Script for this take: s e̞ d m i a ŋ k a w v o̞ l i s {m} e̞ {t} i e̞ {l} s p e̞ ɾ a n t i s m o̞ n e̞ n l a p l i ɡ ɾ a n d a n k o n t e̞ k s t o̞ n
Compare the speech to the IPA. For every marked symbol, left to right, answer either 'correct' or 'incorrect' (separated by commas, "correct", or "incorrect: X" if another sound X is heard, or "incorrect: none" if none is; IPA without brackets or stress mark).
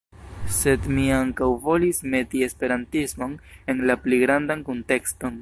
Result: correct, correct, incorrect: none